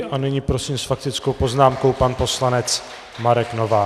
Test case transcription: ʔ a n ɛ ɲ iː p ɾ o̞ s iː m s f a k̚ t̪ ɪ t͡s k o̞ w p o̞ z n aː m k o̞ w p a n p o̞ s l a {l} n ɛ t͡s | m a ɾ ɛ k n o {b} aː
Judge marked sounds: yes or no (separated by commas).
no, no